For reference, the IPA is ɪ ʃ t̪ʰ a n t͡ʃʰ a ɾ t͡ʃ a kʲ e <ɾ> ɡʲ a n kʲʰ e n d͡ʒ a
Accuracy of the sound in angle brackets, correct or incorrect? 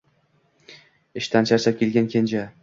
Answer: incorrect